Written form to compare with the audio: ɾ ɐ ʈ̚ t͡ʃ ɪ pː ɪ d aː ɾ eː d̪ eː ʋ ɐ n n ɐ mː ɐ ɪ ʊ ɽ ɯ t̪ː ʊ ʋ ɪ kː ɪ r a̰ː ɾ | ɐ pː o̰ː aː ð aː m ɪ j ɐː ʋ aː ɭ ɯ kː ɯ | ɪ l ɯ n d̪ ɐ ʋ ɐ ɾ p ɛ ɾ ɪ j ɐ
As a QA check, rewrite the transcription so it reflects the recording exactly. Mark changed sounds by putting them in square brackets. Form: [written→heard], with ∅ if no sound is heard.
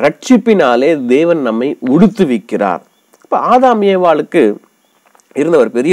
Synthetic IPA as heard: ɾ ɐ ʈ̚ t͡ʃ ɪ pː ɪ [d→n] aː [ɾ→l] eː d̪ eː ʋ ɐ n n ɐ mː ɐ ɪ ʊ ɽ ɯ t̪ː [ʊ→ɯ] ʋ ɪ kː ɪ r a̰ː ɾ | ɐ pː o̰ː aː ð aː m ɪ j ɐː ʋ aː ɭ ɯ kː ɯ | ɪ [l→ɾ] ɯ n d̪ ɐ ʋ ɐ ɾ p ɛ ɾ ɪ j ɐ